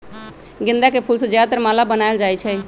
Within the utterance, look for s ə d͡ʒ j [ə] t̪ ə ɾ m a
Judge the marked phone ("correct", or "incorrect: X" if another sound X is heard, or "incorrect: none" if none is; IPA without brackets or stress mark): incorrect: a